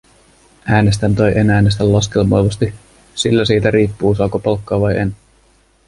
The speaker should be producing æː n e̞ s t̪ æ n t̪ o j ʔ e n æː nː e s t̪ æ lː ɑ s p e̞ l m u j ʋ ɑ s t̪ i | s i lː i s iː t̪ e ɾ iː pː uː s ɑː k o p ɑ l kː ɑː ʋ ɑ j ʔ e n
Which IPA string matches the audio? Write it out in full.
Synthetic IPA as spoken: æː n e̞ s t̪ æ n t̪ o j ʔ e n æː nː e s t̪ æ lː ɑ s k e̞ l m o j ʋ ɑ s t̪ i | s i lː æ s iː t̪ æ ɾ iː pː uː s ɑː k o p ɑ l kː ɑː ʋ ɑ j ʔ e n